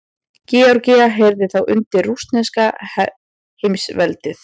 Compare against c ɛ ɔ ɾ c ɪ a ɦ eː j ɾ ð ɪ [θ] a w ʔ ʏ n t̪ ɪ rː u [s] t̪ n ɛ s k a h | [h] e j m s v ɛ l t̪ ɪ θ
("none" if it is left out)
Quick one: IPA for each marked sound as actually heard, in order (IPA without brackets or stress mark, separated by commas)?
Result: θ, s, h